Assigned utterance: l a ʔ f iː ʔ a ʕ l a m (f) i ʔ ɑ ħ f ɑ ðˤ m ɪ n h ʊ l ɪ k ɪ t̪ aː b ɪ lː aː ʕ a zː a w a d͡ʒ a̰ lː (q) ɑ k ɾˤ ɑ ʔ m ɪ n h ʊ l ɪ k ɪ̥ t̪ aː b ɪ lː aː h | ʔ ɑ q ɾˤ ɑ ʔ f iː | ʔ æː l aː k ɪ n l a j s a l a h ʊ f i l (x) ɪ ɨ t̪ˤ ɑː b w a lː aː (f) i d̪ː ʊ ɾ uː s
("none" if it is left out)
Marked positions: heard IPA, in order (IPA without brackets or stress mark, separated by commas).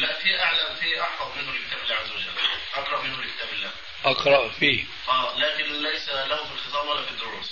f, ʔ, x, f